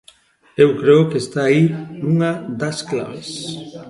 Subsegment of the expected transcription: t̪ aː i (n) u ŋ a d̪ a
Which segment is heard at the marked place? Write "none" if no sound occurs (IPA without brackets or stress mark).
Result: n